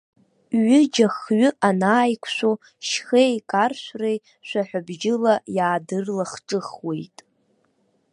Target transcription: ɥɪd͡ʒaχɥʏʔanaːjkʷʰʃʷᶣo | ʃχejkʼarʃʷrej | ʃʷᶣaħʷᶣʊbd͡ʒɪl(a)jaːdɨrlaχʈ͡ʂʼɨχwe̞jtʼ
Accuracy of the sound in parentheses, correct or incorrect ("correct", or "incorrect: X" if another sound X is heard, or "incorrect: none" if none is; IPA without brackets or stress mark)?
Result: correct